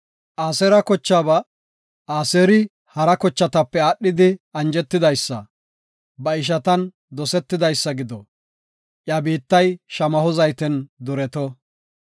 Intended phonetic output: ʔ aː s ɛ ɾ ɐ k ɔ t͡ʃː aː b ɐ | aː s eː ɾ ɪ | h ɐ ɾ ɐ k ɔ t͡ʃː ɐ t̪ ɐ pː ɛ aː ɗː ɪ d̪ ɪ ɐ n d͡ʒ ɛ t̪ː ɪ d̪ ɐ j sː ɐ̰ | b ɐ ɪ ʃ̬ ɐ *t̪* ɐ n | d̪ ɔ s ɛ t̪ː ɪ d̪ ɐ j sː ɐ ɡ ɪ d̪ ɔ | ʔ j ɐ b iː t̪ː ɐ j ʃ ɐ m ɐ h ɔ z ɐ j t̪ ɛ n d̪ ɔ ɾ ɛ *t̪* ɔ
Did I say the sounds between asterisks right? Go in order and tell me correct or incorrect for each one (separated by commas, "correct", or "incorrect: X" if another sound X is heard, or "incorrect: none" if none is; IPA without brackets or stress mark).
correct, correct